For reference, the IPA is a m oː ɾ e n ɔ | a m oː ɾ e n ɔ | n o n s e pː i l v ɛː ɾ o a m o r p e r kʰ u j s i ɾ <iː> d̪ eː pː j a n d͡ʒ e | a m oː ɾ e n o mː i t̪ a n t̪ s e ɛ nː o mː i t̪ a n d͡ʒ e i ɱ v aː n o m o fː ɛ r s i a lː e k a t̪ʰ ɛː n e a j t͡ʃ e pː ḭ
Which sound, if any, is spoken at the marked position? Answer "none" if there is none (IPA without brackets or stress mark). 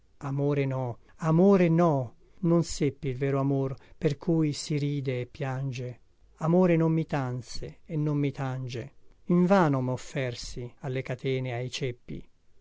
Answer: iː